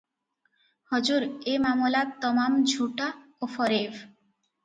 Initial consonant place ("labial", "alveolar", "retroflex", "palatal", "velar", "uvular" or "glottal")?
glottal